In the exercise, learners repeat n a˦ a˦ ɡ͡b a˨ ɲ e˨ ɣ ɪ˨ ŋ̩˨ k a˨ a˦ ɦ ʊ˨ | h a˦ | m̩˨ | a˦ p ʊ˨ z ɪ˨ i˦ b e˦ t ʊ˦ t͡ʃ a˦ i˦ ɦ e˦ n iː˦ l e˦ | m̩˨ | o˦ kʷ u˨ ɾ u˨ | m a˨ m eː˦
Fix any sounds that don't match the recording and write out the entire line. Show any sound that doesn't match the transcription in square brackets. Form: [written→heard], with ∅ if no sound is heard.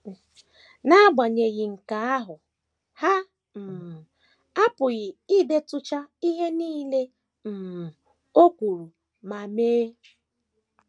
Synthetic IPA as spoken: n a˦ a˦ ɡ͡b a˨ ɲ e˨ ɣ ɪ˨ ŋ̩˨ k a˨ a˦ ɦ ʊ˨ | h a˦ | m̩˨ | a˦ p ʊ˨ [z→ɣ] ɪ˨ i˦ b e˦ t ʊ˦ t͡ʃ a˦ i˦ ɦ e˦ n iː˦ l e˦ | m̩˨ | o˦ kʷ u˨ ɾ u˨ | m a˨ m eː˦

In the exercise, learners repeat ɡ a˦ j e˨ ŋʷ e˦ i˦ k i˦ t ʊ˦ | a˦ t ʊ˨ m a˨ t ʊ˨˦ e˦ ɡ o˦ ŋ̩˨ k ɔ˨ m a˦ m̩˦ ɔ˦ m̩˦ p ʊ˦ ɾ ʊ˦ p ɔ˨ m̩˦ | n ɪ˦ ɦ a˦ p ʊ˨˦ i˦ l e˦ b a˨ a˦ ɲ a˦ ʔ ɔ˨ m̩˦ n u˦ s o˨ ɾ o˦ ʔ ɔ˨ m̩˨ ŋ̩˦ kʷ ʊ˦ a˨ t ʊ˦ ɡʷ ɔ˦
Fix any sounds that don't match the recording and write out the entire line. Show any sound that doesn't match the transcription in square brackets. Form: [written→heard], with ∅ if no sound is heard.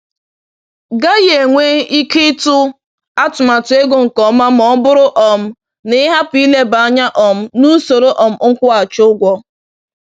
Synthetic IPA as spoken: ɡ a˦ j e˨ ŋʷ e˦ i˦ k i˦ t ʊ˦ | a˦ t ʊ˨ m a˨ t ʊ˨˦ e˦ ɡ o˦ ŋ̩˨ k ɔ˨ m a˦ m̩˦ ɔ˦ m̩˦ [p→b] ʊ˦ ɾ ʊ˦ [p→ʔ] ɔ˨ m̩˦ | n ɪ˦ ɦ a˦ p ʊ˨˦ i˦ l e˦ b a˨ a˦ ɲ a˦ ʔ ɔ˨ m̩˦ n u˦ s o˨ ɾ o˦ ʔ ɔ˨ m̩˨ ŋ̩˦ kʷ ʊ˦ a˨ [t→t͡ʃ] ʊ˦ ɡʷ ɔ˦

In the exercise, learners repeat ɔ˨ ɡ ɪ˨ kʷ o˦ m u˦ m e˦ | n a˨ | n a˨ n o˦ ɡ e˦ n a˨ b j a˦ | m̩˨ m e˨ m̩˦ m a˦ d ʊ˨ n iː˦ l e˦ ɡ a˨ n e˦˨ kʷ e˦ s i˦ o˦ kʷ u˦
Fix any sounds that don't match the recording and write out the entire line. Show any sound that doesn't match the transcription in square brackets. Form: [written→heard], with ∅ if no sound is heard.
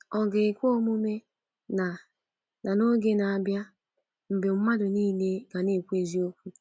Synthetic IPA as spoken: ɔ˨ ɡ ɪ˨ kʷ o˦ m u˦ m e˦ | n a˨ | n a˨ n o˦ ɡ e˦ n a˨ b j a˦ | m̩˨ [m→b] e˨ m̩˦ m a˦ d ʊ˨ n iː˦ l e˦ ɡ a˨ n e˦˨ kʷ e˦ [s→z] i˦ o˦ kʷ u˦

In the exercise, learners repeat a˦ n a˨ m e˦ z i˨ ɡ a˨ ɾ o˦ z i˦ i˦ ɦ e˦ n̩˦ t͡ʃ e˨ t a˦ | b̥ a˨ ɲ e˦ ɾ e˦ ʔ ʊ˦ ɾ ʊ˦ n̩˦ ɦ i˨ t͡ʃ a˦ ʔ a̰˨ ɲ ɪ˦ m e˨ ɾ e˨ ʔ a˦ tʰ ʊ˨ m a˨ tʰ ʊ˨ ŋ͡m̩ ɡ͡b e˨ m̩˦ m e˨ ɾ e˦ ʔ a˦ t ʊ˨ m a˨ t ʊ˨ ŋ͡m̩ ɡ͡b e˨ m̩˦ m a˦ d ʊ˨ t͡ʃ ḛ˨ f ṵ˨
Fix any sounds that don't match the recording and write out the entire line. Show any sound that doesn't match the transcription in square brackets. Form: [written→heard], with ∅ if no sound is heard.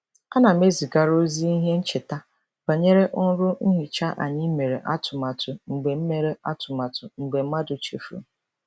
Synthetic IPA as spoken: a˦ n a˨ m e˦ z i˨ ɡ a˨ ɾ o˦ z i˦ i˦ ɦ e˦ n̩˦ t͡ʃ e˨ t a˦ | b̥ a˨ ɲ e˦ ɾ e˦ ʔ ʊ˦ ɾ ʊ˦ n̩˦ ɦ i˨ t͡ʃ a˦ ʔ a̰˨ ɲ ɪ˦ m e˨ ɾ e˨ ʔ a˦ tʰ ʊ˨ m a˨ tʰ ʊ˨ ŋ͡m̩ ɡ͡b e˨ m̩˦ m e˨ ɾ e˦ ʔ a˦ t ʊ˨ m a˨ t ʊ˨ ŋ͡m̩ ɡ͡b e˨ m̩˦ m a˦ d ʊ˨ t͡ʃ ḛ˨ f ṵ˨

